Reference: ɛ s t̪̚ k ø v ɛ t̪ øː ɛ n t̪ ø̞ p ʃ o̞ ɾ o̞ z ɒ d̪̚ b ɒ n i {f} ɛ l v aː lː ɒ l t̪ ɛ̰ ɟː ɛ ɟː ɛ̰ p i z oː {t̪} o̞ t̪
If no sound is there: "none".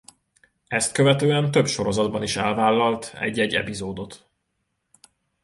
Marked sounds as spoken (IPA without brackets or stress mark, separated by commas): ʃ, d̪